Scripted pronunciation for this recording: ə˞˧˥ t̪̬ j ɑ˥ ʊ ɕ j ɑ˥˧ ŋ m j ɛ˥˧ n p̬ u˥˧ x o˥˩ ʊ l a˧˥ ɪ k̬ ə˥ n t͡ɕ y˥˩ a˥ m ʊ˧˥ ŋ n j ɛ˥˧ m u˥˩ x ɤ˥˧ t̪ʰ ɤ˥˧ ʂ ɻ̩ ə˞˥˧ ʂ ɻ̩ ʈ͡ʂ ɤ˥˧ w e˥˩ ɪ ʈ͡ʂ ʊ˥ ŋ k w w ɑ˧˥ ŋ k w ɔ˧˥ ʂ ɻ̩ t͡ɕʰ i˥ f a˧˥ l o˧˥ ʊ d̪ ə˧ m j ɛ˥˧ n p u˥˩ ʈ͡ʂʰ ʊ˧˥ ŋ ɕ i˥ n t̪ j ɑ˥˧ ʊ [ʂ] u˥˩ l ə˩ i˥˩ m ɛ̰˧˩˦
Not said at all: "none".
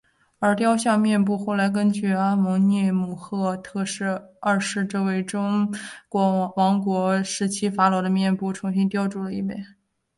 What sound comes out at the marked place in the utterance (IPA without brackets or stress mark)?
ʈ͡ʂ